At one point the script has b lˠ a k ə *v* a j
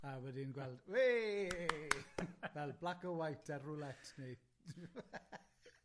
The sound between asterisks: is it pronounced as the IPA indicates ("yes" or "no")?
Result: no